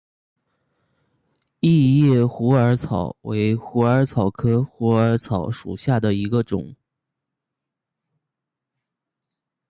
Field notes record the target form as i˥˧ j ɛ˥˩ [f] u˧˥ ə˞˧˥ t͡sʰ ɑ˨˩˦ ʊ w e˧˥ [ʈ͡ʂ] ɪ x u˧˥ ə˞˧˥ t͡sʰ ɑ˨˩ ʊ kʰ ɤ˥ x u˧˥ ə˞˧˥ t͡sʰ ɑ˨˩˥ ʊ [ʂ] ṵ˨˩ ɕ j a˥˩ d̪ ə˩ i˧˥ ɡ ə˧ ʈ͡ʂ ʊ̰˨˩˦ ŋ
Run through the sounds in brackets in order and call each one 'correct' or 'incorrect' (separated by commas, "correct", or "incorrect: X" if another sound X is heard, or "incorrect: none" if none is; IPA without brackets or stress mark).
incorrect: x, incorrect: none, correct